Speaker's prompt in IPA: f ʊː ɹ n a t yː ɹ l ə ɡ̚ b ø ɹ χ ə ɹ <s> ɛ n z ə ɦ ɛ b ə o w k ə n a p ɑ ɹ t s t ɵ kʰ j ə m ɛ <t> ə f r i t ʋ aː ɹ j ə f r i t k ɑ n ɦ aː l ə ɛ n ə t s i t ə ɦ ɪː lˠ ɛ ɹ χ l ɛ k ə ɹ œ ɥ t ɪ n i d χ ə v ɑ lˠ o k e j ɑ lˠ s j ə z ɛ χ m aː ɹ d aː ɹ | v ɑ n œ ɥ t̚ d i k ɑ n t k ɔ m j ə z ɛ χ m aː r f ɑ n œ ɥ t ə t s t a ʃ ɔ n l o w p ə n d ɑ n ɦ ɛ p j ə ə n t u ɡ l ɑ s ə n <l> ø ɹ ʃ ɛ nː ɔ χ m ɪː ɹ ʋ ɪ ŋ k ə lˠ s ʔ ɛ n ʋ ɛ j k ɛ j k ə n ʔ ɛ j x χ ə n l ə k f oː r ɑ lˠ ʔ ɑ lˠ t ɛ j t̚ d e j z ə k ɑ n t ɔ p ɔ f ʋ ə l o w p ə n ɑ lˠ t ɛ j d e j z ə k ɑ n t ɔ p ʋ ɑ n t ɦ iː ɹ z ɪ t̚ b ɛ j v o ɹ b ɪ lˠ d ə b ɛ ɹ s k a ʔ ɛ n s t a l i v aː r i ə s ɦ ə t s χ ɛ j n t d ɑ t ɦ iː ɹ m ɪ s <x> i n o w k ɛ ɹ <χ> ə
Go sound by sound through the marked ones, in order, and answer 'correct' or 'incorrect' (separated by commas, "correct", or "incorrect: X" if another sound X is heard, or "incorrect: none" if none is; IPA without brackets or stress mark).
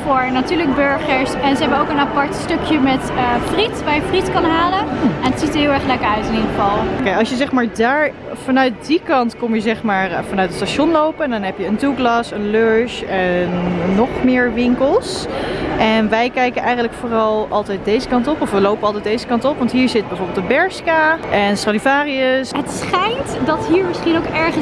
correct, correct, correct, incorrect: χ, correct